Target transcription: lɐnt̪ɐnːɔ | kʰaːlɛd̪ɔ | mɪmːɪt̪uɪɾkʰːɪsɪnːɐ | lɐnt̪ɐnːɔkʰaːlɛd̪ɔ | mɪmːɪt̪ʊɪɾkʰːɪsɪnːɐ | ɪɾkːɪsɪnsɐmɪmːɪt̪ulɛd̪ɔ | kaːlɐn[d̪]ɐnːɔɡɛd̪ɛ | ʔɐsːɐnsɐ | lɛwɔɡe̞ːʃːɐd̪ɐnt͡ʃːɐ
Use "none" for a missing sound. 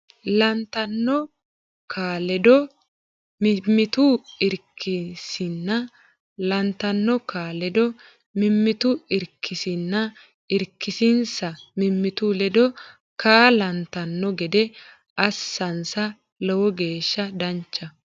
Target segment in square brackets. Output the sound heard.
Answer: t̪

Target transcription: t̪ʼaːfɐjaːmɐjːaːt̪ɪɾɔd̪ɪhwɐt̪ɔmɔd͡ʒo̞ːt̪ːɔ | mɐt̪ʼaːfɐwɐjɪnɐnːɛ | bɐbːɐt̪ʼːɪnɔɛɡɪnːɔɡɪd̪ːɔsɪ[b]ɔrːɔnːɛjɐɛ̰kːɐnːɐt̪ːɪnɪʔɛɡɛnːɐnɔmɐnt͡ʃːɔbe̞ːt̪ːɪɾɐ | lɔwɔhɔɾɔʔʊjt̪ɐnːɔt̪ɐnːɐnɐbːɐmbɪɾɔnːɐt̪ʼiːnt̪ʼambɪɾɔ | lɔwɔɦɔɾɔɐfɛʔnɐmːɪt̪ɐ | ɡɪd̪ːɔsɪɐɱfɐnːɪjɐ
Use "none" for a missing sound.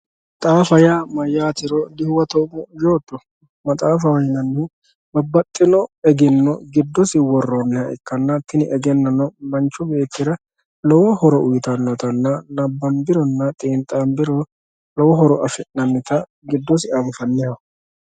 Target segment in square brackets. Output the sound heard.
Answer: w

